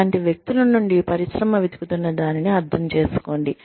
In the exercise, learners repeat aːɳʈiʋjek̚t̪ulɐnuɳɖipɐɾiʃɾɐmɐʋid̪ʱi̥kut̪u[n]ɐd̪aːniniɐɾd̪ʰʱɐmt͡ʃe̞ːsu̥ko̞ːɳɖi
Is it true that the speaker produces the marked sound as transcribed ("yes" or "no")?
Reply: no